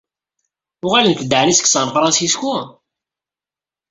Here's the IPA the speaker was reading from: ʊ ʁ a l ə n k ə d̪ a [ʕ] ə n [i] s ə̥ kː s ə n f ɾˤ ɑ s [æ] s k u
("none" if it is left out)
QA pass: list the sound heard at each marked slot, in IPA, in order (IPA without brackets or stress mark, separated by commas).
ʕ, i, i